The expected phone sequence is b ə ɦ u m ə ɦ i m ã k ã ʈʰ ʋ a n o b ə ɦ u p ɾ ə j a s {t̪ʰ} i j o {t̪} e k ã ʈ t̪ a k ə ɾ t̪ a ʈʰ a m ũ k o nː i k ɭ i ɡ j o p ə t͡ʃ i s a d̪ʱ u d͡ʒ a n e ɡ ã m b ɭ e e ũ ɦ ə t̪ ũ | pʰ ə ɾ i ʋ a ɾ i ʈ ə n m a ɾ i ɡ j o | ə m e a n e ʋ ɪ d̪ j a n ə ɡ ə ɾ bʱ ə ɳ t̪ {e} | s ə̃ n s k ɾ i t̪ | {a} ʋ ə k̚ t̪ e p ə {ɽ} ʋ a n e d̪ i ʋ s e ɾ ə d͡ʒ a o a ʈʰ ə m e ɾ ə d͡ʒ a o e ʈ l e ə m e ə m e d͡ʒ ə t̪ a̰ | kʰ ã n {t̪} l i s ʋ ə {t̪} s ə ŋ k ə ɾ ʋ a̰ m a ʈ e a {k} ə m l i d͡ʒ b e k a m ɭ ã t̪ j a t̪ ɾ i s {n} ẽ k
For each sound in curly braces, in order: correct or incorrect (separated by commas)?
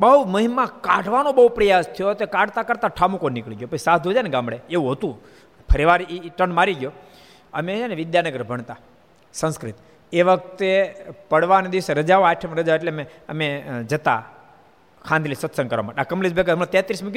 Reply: correct, correct, incorrect, incorrect, correct, incorrect, correct, correct, incorrect